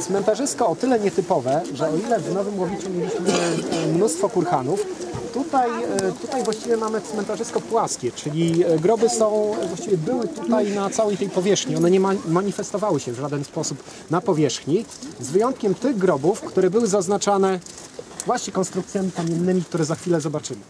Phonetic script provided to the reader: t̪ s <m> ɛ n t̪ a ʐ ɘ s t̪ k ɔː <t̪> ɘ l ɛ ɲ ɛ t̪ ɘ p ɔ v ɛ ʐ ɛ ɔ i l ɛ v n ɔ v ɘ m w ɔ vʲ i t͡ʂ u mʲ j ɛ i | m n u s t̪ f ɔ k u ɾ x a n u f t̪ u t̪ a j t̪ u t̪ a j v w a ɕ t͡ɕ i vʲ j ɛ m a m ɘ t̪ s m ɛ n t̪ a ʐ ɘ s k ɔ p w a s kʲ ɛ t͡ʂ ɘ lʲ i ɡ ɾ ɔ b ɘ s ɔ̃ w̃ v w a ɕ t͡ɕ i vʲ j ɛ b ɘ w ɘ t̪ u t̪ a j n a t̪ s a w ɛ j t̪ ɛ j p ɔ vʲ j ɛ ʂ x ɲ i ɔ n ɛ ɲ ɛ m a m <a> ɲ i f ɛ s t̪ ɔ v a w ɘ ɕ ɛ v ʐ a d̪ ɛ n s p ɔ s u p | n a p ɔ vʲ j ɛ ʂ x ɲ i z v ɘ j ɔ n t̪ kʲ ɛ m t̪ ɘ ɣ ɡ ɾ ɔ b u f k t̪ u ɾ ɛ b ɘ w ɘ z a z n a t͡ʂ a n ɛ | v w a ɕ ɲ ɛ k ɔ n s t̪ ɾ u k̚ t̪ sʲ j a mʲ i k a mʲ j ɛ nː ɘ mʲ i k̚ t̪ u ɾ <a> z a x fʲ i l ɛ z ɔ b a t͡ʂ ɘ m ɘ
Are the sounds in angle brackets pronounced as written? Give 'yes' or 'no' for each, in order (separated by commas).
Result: yes, yes, yes, no